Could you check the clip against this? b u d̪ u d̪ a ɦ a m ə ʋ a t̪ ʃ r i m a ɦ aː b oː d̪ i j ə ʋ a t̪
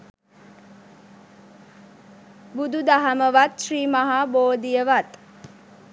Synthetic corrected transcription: b u d̪ u d̪ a ɦ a m ə ʋ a t̪ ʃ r iː m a ɦ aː b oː d̪ i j ə ʋ a t̪